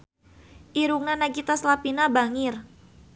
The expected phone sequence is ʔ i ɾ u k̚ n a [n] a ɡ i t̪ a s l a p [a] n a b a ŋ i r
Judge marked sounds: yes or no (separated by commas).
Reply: yes, no